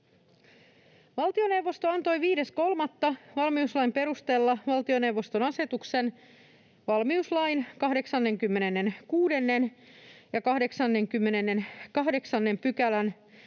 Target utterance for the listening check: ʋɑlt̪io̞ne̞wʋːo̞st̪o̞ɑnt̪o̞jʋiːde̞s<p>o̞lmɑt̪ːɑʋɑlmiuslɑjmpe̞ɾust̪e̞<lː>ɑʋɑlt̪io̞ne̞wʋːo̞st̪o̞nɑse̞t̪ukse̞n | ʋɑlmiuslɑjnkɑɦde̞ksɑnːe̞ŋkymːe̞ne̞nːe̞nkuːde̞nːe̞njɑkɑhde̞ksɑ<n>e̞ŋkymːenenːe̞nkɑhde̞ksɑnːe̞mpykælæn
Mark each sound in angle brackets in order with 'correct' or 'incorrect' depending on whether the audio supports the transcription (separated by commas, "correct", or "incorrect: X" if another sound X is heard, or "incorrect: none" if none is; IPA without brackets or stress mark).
incorrect: k, correct, incorrect: nː